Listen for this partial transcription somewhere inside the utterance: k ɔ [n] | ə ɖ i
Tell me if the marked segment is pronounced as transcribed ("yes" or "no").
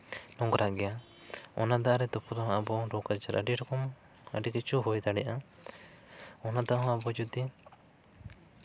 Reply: no